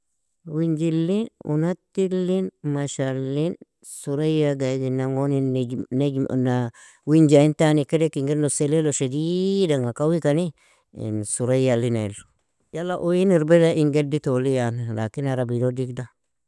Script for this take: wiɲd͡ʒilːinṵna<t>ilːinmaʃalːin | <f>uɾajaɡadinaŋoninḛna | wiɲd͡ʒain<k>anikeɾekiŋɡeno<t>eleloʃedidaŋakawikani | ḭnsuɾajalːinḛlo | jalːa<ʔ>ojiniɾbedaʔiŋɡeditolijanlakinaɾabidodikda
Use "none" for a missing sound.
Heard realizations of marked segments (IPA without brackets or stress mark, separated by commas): t, s, t, s, ʔ